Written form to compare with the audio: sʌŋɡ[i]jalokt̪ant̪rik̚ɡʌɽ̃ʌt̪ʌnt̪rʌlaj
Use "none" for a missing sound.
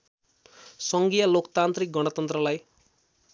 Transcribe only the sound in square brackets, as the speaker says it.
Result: i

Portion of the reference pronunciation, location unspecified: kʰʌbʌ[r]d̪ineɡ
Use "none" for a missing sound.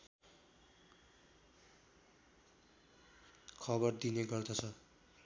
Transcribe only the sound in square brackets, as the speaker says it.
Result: r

